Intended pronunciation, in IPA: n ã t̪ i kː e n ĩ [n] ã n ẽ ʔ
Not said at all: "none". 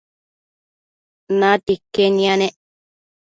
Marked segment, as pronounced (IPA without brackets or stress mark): none